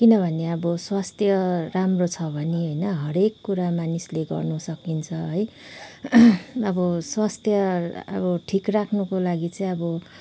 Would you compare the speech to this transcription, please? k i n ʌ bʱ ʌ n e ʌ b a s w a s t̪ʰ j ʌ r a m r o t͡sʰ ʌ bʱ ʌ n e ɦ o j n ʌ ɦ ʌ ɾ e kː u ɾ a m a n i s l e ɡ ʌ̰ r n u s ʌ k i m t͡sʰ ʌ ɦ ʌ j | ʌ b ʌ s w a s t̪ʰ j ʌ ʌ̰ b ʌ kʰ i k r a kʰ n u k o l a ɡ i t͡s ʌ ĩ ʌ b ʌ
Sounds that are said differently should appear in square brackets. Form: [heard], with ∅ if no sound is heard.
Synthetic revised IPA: k i n ʌ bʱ ʌ n e ʌ b [ʌ] s w a s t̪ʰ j ʌ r a m r o t͡sʰ ʌ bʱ ʌ n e ɦ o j n ʌ ɦ ʌ ɾ e kː u ɾ a m a n i s l e ɡ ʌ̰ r n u s ʌ k i [n] t͡sʰ ʌ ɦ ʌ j | ʌ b ʌ s w a s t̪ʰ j ʌ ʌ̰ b ʌ [ʈʰ] i k r a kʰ n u k o l a ɡ i t͡s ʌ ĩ ʌ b ʌ

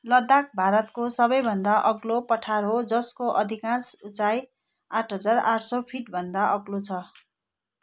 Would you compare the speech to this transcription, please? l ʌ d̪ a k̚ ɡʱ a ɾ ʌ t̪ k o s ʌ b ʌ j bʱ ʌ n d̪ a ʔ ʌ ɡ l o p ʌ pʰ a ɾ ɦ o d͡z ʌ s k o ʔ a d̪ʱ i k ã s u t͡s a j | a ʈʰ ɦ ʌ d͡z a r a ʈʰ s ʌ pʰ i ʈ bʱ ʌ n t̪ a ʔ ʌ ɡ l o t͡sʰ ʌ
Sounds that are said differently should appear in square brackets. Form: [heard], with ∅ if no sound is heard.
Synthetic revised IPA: l ʌ d̪ a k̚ [bʱ] a ɾ ʌ t̪ k o s ʌ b ʌ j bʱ ʌ n d̪ a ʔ ʌ ɡ l o p ʌ [ʈʰ] a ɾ ɦ o d͡z ʌ s k o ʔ [ʌ] d̪ʱ i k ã s u t͡s a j | a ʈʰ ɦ ʌ d͡z a r a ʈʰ s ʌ pʰ i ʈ bʱ ʌ n [d̪] a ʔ ʌ ɡ l o t͡sʰ ʌ

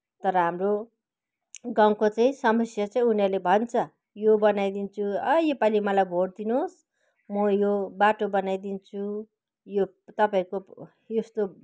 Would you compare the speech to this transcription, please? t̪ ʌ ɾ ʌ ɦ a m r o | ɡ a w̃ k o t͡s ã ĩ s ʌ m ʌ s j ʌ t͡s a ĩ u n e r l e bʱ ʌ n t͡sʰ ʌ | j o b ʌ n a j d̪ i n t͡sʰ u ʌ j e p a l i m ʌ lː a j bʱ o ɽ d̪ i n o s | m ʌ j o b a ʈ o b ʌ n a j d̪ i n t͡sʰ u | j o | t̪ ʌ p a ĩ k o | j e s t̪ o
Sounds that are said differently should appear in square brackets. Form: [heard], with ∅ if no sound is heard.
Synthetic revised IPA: t̪ ʌ ɾ ʌ ɦ a m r o | ɡ a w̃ k o t͡s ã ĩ s ʌ m ʌ s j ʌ t͡s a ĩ u n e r l e bʱ ʌ n t͡sʰ ʌ | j o b ʌ n a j d̪ i n t͡sʰ u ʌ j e p a l i m ʌ [l] a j bʱ o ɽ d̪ i n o s | m ʌ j o b a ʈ o b ʌ n a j d̪ i n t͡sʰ u | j o | t̪ ʌ p a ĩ k o | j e s t̪ o

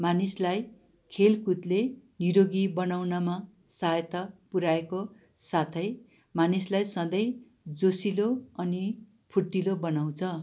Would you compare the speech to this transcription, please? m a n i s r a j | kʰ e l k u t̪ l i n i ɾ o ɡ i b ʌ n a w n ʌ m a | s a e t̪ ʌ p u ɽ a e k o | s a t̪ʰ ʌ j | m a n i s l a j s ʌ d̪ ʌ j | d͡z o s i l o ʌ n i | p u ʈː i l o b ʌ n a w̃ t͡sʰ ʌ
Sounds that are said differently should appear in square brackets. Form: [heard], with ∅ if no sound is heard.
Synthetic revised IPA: m a n i s [l] a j | kʰ e l k u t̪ l [e] n i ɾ o ɡ i b ʌ n a w n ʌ m a | s a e t̪ ʌ p u [ɾ] a e k o | s a t̪ʰ ʌ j | m a n i s l a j s ʌ d̪ ʌ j | d͡z o s i l o ʌ n i | [pʰ] u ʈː i l o b ʌ n a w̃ t͡sʰ ʌ

